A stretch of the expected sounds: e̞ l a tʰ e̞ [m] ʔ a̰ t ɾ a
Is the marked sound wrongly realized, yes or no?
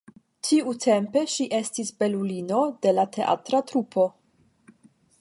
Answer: yes